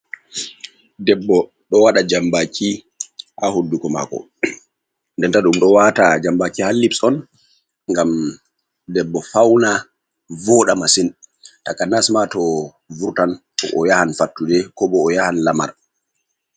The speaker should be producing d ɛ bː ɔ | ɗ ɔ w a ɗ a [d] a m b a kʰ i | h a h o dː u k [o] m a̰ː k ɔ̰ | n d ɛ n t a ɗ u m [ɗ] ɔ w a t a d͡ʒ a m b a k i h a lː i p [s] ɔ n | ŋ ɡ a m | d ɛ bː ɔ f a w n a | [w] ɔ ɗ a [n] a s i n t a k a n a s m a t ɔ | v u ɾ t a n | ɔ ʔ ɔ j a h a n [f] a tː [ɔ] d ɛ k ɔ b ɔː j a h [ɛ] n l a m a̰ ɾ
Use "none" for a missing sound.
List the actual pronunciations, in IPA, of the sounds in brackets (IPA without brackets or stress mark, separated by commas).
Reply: d͡ʒ, ɔ, ɗ, s, v, m, f, u, a